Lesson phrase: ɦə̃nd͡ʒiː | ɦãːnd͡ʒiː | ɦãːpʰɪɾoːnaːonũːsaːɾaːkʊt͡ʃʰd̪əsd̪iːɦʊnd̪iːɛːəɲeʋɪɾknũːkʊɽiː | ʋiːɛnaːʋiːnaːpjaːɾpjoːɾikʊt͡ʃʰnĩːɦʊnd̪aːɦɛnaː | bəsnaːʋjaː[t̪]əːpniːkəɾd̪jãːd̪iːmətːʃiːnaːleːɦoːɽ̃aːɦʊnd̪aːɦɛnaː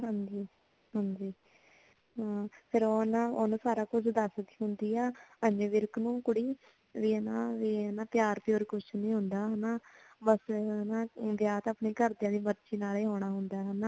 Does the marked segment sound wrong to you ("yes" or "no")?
no